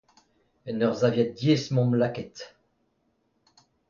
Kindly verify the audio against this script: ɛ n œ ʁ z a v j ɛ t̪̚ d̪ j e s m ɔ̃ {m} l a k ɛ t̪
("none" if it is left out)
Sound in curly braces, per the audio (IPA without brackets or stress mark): m